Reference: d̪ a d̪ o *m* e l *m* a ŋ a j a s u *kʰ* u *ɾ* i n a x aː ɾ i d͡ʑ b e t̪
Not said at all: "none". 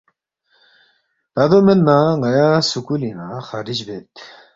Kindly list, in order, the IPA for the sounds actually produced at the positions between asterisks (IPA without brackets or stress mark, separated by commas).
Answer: m, n, k, l